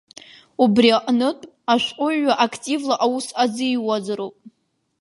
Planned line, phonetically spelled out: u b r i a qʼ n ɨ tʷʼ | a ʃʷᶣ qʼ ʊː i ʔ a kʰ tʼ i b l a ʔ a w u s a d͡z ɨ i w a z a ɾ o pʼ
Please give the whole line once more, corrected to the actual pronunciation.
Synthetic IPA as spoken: u b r i a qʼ n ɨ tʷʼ | a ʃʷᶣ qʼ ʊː a ʔ a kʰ tʼ i v l a ʔ a w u s a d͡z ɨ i w a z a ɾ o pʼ